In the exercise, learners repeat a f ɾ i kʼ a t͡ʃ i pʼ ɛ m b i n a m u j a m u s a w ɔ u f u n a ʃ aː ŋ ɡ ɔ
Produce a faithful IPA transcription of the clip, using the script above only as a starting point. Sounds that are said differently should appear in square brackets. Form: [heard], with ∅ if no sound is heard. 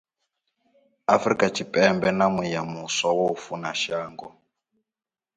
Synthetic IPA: a f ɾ i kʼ a t͡ʃ i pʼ ɛ m b [ɛ] n a m u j a m u s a w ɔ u f u n a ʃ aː ŋ ɡ ɔ